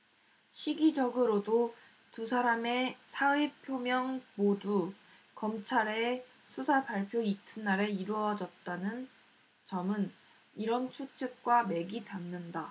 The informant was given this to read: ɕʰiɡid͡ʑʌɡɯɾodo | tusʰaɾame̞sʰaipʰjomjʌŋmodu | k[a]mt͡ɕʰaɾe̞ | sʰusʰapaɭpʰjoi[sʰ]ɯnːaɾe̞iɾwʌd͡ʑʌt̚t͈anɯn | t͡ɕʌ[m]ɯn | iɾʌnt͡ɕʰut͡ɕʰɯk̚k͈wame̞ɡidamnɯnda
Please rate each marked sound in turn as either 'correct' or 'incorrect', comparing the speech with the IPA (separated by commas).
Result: incorrect, incorrect, correct